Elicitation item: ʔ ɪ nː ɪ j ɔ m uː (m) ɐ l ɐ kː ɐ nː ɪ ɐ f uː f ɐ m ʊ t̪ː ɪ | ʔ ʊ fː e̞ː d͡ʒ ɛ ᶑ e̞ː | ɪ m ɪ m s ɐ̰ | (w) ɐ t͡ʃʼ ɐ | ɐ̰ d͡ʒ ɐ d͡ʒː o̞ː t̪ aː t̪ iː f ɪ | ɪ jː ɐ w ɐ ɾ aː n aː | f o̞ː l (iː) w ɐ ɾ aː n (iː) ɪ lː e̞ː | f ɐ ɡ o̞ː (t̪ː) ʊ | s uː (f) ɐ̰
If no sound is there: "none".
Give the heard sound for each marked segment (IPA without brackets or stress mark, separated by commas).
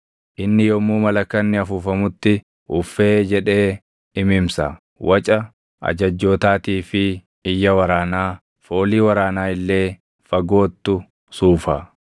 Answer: m, w, iː, aː, t̪ː, f